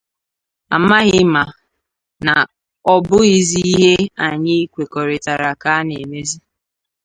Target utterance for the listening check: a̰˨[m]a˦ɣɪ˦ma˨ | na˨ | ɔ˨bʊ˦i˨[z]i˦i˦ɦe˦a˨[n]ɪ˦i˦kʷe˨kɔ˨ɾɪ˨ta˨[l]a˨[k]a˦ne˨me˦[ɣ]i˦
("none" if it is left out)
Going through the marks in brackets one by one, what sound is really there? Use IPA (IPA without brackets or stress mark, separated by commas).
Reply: m, z, ɲ, ɾ, k, z